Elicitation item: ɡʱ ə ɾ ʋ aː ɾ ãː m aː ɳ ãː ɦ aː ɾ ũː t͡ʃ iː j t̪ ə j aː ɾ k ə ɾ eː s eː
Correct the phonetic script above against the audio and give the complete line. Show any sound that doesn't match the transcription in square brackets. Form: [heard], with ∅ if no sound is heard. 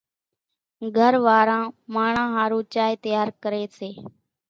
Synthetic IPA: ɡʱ ə ɾ ʋ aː ɾ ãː m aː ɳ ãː ɦ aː ɾ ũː t͡ʃ [aː] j t̪ ə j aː ɾ k ə ɾ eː s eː